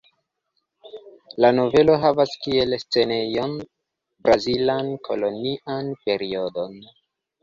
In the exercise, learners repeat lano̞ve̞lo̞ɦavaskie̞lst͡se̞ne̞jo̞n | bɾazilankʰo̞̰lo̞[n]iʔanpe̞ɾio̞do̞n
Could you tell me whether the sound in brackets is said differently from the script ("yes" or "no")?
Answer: no